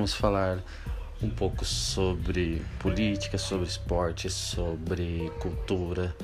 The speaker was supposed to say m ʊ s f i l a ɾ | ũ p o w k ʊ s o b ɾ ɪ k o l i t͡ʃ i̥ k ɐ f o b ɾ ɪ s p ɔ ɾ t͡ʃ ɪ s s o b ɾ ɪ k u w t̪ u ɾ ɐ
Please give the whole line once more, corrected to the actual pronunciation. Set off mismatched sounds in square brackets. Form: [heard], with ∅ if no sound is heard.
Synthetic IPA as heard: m ʊ s f [a] l a ɾ | ũ p o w k ʊ s o b ɾ ɪ [p] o l i t͡ʃ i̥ k ɐ [s] o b ɾ ɪ s p ɔ ɾ t͡ʃ ɪ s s o b ɾ ɪ k u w t̪ u ɾ ɐ